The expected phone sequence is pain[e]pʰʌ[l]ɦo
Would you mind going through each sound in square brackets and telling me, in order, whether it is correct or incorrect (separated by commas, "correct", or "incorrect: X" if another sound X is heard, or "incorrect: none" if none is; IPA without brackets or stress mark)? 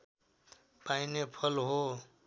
correct, correct